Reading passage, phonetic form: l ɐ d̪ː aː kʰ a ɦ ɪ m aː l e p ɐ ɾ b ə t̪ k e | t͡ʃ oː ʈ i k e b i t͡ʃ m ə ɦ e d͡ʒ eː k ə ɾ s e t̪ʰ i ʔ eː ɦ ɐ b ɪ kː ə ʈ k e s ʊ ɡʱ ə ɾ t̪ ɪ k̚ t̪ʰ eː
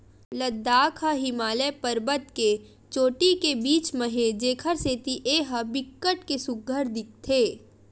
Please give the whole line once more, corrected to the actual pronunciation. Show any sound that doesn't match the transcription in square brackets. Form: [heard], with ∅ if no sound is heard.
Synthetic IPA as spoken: l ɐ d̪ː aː kʰ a ɦ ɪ m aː l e p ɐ ɾ b ə t̪ k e | t͡ʃ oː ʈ i k e b [iː] t͡ʃ m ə ɦ e d͡ʒ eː [kʰ] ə ɾ s e [t̪] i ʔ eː ɦ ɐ b ɪ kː ə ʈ k e s ʊ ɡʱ ə ɾ [d̪] ɪ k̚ t̪ʰ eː